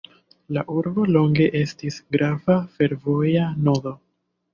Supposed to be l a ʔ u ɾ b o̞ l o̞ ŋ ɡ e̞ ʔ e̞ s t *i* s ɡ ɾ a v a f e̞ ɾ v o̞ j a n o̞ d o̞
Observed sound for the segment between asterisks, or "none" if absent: i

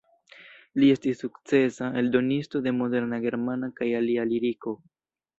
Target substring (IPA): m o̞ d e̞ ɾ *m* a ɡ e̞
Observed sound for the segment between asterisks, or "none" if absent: n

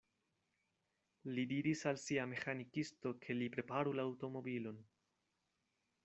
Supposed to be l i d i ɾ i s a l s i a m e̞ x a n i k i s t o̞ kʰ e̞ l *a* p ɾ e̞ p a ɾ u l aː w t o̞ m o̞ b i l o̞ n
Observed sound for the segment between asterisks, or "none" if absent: i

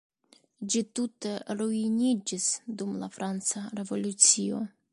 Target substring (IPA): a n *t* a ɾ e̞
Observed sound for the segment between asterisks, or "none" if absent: t͡s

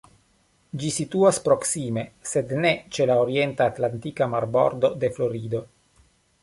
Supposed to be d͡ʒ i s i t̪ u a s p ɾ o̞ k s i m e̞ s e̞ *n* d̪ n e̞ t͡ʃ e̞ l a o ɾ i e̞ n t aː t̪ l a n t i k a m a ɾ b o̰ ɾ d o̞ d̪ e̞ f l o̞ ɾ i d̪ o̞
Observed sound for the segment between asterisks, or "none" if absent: none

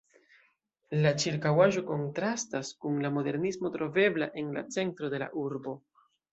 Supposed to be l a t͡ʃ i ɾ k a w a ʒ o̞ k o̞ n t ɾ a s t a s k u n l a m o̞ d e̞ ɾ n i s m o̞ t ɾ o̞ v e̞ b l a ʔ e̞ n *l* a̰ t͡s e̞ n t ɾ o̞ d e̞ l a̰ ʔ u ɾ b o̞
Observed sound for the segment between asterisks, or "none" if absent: l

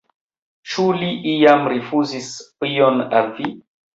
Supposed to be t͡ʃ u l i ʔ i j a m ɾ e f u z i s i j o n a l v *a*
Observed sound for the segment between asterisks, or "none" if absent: i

